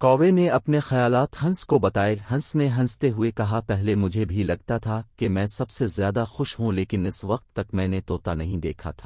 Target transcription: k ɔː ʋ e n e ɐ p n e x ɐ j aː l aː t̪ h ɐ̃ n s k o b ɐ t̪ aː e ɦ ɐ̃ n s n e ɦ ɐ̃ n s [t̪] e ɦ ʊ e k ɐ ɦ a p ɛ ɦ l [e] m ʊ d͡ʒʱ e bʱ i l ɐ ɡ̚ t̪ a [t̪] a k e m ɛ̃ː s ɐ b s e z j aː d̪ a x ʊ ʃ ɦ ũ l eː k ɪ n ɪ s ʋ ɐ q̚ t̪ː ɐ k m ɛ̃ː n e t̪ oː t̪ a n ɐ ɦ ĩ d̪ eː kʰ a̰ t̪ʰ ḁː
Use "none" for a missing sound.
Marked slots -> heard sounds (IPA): t̪, e, t̪ʰ

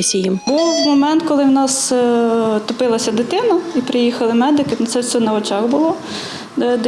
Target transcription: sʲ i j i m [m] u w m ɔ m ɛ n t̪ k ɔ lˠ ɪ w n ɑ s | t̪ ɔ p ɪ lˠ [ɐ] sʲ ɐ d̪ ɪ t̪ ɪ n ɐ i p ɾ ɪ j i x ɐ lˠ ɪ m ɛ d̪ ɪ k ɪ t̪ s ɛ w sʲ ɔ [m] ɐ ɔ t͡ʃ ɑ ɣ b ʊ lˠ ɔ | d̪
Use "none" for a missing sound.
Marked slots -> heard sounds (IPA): b, ɐ, n

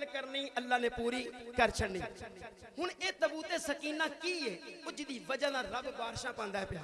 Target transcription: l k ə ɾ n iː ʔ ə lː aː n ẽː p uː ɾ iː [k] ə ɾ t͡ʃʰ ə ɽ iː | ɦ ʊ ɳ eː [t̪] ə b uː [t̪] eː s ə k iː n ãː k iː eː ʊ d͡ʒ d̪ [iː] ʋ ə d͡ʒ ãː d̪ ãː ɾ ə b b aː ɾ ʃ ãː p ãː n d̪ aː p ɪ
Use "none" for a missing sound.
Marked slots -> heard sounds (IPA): k, t̪, t̪, iː

